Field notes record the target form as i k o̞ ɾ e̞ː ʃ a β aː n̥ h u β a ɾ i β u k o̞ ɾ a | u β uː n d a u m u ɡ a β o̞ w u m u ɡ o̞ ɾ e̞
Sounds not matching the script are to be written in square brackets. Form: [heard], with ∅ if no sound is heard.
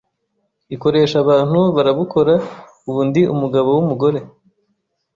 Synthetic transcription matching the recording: i k o̞ ɾ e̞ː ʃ a β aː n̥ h u β a ɾ [a] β u k o̞ ɾ a | u β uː n d [i] u m u ɡ a β o̞ w u m u ɡ o̞ ɾ e̞